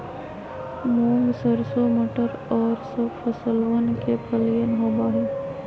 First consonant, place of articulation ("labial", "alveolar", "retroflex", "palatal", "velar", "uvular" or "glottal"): labial